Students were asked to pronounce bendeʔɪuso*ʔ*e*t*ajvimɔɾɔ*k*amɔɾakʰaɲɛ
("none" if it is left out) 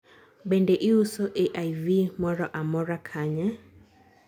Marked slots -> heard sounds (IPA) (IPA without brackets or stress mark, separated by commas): ʔ, ʔ, ʔ